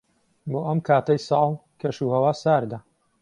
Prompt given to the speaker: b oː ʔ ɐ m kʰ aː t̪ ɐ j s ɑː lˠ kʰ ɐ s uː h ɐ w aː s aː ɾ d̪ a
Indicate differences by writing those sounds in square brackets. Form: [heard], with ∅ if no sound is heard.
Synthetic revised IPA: b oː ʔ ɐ m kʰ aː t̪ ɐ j s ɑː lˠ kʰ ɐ [ʃ] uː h ɐ w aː s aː ɾ d̪ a